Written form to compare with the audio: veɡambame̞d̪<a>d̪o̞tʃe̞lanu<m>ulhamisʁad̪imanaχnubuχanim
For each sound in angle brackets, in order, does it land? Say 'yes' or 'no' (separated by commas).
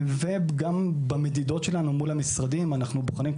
no, yes